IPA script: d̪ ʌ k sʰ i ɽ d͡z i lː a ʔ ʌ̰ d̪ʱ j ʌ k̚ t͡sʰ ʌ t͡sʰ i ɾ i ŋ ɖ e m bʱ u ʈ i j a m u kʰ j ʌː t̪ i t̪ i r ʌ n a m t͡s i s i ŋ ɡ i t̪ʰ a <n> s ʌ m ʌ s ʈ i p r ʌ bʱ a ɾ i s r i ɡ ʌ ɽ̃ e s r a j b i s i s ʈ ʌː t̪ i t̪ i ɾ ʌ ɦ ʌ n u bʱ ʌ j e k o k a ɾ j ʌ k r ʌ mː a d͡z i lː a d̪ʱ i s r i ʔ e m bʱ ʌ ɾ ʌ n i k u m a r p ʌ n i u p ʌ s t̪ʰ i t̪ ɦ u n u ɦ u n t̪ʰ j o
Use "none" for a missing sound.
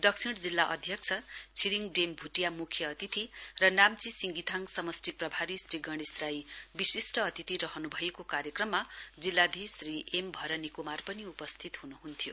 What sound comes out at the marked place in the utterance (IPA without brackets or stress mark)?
ŋ